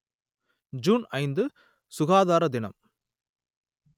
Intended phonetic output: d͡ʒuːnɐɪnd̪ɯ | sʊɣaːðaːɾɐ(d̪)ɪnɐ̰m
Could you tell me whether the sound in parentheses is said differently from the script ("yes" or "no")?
no